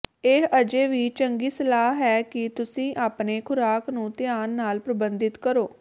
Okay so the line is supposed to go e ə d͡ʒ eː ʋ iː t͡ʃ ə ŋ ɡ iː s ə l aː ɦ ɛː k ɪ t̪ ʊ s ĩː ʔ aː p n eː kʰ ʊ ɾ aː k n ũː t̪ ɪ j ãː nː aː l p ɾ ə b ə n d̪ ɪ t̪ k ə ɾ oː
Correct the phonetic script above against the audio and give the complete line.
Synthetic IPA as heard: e ə d͡ʒ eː ʋ iː t͡ʃ ə ŋ ɡ iː s ə l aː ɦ ɛː k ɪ t̪ ʊ s ĩː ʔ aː p n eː kʰ ʊ ɾ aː k n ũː t̪ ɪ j aː nː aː l p ɾ ə b ə n d̪ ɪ t̪ k ə ɾ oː